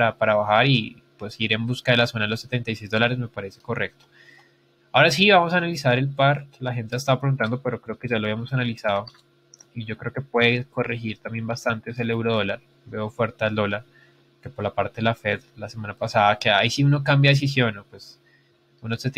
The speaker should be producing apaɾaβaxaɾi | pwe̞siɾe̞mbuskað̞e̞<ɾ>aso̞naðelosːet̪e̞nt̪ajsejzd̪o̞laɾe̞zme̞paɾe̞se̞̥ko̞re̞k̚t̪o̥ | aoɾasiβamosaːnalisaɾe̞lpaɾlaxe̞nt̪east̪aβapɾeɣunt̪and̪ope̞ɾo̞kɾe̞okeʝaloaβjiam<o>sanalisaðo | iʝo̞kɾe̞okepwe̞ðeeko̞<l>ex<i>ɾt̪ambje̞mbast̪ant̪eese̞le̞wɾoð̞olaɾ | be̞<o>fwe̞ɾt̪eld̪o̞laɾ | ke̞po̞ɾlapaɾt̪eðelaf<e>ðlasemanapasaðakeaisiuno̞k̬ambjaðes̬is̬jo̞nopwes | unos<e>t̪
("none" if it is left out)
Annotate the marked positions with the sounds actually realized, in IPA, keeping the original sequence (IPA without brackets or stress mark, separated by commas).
l, o, r, i, o, e, e